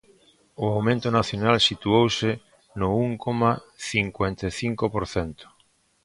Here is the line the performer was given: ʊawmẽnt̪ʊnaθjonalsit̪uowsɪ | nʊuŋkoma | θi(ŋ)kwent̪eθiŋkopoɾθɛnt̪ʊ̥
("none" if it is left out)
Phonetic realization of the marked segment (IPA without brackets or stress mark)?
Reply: ŋ